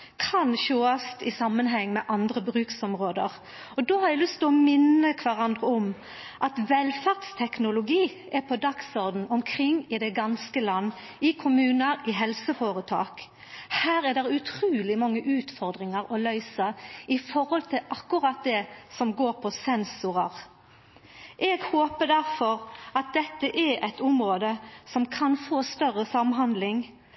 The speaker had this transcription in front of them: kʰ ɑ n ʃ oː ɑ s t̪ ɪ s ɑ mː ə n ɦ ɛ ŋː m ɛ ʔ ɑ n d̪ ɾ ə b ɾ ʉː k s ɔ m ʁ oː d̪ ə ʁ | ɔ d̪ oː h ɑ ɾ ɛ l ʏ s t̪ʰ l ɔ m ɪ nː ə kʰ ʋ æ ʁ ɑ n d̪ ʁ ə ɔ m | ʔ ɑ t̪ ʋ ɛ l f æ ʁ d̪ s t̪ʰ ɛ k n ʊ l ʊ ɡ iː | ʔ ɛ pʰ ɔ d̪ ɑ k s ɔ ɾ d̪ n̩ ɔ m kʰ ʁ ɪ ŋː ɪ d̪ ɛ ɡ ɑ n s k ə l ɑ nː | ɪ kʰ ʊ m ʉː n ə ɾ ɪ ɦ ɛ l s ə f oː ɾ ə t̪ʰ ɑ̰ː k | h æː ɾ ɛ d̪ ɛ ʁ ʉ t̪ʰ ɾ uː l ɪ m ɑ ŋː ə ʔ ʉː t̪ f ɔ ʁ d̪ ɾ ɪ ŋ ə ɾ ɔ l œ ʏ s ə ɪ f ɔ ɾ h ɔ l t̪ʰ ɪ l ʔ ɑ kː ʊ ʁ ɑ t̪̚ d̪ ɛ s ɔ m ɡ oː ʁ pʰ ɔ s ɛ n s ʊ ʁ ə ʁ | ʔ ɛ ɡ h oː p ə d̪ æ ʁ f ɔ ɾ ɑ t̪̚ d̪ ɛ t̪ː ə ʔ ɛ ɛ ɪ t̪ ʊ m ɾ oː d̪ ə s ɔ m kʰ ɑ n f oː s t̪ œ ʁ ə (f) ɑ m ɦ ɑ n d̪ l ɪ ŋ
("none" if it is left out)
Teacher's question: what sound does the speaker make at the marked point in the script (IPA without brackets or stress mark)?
s